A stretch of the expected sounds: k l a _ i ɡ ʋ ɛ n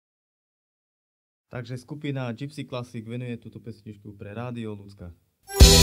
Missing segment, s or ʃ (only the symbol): s